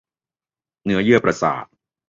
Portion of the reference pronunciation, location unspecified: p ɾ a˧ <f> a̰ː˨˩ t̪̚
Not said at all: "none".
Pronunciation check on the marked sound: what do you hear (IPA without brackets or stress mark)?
s